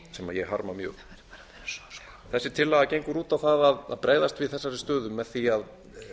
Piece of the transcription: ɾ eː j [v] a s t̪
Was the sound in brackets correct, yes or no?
no